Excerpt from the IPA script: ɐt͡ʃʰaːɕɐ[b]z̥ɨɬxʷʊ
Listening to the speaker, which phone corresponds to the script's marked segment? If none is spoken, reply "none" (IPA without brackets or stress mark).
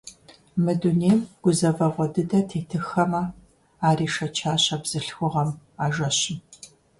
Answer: b